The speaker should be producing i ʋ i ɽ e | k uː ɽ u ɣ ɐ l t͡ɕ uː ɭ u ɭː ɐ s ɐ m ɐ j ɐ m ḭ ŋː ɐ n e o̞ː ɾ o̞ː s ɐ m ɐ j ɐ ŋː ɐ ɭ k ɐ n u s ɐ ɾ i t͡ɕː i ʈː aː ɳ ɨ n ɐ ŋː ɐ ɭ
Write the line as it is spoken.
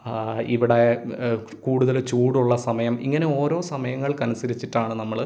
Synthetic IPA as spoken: i ʋ i ɽ e | k uː ɽ u ð ɐ l t͡ɕ uː ɽ u ɭː ɐ s ɐ m ɐ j ɐ m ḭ ŋː ɐ n e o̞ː ɾ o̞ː s ɐ m ɐ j ɐ ŋː ɐ ɭ k ɐ n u s ɐ ɾ i t͡ɕː i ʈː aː ɳ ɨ n ɐ mː ɐ ɭ

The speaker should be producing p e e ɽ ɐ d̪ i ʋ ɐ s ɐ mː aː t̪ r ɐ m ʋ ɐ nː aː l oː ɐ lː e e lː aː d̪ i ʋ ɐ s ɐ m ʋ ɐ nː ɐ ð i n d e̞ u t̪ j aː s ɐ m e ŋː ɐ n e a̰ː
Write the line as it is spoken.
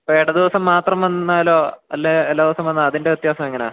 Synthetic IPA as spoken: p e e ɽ ɐ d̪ i ʋ ɐ s ɐ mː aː t̪ r ɐ m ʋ ɐ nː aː l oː ɐ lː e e lː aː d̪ i ʋ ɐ s ɐ m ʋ ɐ nː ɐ ð i n d e̞ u t̪ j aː s ɐ m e ŋː ɐ n e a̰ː

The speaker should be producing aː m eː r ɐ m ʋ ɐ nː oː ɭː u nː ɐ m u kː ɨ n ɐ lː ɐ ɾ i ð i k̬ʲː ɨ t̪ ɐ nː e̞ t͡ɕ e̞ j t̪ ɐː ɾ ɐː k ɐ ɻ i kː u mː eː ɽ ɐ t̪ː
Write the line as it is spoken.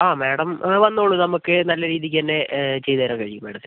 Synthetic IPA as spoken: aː m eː ɽ ɐ m ʋ ɐ nː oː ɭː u n ɐ m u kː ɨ n ɐ lː ɐ ɾ iː ð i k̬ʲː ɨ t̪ ɐ nː e̞ t͡ɕ e̞ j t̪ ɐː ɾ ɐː k ɐ ɻ i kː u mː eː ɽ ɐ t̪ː

